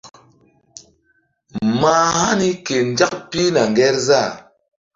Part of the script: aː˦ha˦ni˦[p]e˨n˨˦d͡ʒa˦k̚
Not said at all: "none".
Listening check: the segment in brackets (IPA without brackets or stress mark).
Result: k